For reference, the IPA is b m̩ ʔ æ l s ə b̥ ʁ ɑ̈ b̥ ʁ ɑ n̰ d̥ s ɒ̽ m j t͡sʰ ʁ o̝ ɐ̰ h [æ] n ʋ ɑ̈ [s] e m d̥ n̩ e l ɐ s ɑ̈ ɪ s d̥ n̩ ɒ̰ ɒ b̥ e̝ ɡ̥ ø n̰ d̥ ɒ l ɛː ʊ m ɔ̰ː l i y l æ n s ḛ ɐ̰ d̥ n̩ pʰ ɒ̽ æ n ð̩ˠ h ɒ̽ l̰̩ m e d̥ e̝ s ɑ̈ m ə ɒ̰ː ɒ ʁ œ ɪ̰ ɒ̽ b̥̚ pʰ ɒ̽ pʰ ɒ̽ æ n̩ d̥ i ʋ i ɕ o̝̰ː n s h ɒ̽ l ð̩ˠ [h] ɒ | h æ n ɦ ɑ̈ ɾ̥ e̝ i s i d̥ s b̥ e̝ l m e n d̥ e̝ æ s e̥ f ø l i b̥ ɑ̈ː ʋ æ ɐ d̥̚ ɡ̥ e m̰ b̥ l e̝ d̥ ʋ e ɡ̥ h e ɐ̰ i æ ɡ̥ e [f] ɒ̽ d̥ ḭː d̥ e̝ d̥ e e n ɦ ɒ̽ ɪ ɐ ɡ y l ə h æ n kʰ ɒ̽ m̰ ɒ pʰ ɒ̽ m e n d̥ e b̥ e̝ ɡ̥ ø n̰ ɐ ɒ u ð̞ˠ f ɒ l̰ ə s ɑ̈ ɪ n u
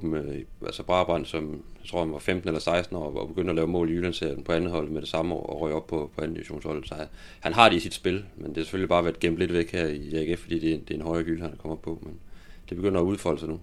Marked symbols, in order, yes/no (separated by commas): yes, no, no, yes